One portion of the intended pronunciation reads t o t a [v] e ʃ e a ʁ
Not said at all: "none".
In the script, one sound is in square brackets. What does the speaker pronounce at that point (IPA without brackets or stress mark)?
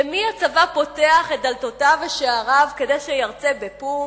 v